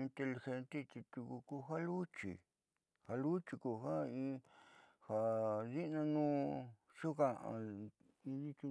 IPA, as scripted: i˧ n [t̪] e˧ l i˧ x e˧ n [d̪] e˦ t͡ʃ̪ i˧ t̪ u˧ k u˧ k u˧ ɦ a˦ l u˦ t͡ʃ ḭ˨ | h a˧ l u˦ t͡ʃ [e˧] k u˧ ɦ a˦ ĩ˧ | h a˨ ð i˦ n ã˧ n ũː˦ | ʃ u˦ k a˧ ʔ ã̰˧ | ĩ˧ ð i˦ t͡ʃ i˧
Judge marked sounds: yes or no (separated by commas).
yes, no, no